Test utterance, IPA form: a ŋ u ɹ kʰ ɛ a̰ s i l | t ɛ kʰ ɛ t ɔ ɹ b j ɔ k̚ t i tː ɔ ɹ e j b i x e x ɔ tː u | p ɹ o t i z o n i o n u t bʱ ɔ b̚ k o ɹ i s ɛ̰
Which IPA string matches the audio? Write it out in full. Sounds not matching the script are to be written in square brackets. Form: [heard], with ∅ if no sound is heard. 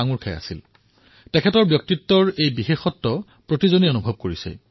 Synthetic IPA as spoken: a ŋ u ɹ kʰ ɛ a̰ s i l | t ɛ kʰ ɛ t ɔ ɹ b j ɔ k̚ t i tː ɔ ɹ e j b i x e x ɔ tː [ɔ] | p ɹ o t i z o n i o n u [∅] bʱ ɔ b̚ k o ɹ i s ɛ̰